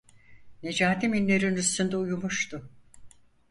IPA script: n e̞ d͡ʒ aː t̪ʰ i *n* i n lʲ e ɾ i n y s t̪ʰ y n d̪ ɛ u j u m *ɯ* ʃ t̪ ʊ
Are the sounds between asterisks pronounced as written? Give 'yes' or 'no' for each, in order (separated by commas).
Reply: no, no